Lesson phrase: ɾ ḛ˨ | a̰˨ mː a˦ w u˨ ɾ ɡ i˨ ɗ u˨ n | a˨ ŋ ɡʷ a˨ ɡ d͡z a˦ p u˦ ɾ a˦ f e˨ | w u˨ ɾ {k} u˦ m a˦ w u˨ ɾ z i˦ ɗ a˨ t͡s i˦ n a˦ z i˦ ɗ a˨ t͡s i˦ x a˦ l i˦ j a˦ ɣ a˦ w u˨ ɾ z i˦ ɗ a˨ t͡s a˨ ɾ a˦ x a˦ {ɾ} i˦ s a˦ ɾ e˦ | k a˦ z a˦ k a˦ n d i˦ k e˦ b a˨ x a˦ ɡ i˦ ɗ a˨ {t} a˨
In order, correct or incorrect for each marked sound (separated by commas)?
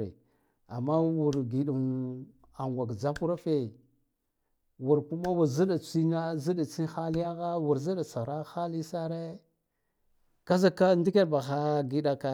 correct, incorrect, incorrect